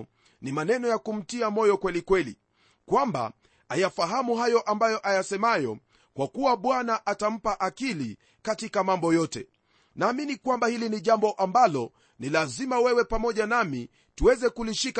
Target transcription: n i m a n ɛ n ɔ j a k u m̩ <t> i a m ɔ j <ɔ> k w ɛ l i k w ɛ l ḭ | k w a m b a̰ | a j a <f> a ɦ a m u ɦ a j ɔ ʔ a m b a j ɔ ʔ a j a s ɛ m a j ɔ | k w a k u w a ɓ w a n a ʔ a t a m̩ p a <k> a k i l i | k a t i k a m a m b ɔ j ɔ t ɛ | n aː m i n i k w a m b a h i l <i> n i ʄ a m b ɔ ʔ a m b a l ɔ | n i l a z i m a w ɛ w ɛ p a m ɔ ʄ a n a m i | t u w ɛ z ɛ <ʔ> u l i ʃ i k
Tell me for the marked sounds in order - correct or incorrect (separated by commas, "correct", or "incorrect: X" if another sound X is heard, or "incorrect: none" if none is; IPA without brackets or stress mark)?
correct, correct, correct, incorrect: ʔ, correct, incorrect: k